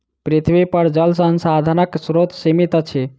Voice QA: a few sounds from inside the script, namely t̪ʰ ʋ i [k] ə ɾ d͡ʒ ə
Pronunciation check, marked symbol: incorrect: p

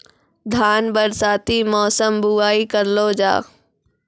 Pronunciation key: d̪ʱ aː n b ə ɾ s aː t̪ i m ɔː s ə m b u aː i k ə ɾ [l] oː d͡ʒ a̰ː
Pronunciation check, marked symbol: correct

